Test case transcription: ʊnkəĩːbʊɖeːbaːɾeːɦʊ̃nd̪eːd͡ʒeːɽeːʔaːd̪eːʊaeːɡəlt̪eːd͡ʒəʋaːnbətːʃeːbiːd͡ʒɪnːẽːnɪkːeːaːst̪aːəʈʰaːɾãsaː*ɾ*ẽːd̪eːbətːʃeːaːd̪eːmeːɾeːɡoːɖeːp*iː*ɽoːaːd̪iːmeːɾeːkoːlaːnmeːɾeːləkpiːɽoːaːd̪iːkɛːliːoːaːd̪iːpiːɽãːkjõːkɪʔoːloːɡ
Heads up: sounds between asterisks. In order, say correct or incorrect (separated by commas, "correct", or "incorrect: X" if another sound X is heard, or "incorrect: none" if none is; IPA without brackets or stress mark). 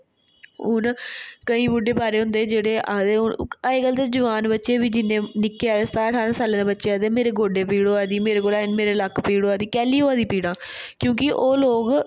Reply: incorrect: l, correct